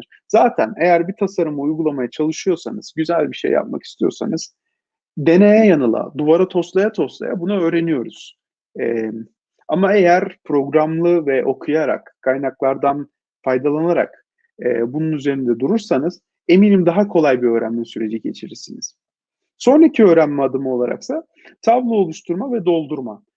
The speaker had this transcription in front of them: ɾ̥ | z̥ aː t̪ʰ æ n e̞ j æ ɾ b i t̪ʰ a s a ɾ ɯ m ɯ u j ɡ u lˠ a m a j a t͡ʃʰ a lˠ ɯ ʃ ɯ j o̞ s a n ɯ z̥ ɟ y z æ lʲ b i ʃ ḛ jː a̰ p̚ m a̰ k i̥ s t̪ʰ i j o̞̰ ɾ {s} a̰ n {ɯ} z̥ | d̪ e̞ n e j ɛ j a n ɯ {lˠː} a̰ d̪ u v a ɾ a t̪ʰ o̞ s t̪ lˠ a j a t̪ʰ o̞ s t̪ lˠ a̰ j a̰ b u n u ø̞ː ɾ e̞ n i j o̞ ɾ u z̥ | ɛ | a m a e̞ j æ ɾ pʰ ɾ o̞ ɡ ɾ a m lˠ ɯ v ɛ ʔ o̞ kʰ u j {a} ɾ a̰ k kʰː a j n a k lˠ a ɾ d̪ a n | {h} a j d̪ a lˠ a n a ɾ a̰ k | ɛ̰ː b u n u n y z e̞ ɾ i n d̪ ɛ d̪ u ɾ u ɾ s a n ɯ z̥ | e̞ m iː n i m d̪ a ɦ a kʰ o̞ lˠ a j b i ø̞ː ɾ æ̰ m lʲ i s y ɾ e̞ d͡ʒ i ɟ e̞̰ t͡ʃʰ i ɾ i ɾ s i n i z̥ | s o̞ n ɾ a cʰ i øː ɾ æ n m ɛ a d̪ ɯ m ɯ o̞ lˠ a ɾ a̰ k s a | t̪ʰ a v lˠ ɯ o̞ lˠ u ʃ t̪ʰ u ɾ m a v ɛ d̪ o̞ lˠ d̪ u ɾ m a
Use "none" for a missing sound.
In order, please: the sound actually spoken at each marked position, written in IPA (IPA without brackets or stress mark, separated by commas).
s, ɯ, lˠ, a, f